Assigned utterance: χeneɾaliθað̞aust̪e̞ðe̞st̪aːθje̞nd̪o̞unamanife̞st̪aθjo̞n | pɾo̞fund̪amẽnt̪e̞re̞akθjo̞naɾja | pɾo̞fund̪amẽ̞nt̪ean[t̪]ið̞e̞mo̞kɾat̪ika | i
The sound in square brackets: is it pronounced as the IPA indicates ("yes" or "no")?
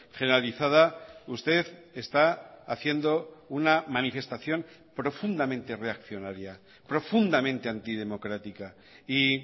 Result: yes